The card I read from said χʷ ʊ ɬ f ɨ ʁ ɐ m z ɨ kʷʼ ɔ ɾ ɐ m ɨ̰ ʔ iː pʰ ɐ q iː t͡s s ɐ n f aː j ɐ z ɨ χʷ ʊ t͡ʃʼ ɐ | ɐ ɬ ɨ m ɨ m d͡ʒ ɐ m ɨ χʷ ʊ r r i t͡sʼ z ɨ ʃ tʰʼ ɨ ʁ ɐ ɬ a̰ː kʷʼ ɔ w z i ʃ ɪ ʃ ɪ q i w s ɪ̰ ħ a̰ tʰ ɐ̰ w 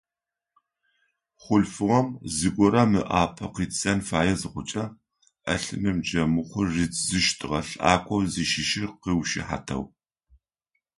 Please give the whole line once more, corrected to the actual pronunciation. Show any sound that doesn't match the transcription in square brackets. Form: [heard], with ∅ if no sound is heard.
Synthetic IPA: χʷ ʊ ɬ f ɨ ʁ ɐ m z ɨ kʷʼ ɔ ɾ ɐ m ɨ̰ ʔ [aː] pʰ ɐ q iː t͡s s ɐ n f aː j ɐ z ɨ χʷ ʊ t͡ʃʼ ɐ | ɐ ɬ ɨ m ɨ m d͡ʒ ɐ m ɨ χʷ ʊ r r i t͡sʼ z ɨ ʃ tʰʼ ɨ ʁ ɐ ɬ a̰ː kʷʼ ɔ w z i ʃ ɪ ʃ ɪ q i w [ʃ] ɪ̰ ħ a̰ tʰ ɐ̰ w